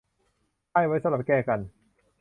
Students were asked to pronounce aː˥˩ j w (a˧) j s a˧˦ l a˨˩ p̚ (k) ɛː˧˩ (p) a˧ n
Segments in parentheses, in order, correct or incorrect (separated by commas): incorrect, correct, incorrect